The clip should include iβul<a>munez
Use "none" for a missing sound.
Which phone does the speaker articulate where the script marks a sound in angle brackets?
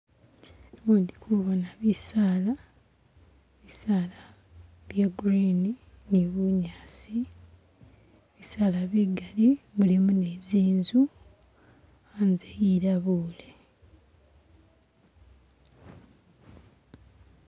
i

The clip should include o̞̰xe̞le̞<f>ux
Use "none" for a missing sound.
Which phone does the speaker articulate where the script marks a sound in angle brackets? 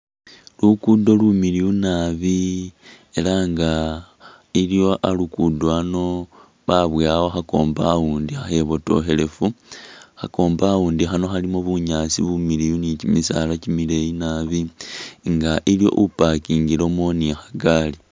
f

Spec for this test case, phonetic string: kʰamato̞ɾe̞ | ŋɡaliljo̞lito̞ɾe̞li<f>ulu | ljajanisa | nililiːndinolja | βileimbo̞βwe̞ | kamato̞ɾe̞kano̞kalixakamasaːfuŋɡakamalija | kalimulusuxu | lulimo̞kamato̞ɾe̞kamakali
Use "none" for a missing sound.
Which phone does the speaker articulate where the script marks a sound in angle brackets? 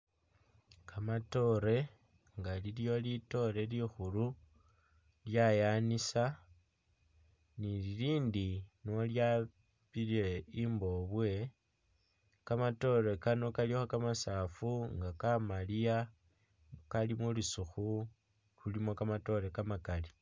x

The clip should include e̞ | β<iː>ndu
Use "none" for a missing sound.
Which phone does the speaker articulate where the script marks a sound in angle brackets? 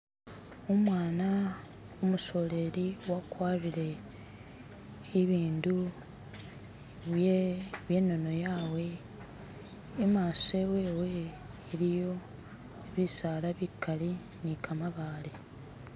iː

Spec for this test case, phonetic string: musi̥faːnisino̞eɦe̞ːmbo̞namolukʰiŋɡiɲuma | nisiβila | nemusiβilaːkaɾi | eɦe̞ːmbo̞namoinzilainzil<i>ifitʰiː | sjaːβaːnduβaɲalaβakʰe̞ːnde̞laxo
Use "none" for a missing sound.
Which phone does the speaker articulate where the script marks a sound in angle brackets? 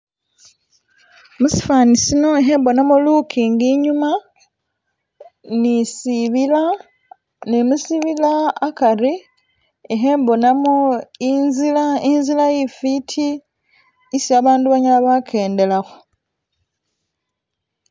a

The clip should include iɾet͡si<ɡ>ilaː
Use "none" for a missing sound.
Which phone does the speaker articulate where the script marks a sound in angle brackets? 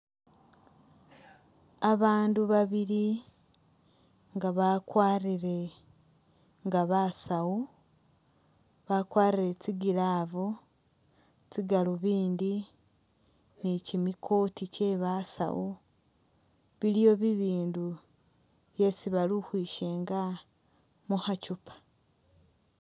ɡ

